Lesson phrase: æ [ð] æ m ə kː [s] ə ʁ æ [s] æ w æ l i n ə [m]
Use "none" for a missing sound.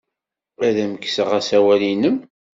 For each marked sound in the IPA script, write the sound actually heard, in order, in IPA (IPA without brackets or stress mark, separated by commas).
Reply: ð, s, s, m